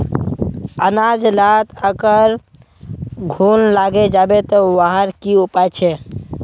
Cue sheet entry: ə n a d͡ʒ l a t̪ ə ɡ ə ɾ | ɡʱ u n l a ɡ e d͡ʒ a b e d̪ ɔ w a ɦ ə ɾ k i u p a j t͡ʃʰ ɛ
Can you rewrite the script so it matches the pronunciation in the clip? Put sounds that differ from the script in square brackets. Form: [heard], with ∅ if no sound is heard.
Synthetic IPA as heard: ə n a d͡ʒ l a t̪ ə ɡ ə ɾ | ɡʱ u n l a ɡ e d͡ʒ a b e [t̪] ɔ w a ɦ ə ɾ k i u p a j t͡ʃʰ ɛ